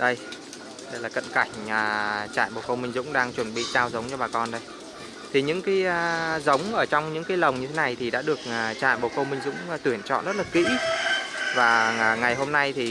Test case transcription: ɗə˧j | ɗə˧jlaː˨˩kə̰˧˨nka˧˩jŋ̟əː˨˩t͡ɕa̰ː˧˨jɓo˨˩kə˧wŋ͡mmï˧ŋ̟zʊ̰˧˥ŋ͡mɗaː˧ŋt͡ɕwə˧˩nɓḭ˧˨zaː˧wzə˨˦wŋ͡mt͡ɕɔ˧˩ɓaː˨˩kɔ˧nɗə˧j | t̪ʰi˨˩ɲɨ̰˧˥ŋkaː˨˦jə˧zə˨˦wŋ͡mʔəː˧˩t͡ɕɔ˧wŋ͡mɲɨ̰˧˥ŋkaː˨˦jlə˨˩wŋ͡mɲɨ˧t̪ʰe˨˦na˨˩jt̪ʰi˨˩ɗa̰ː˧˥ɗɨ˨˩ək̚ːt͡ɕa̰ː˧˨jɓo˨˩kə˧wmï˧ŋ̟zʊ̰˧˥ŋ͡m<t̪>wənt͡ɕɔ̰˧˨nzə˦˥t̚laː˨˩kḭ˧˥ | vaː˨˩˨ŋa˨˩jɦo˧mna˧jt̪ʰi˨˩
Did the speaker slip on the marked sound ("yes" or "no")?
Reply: no